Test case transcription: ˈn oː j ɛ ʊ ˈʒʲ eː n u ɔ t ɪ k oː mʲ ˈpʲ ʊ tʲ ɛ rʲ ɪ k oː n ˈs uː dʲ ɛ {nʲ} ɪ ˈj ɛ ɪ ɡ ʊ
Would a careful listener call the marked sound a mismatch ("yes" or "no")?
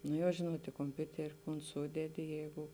yes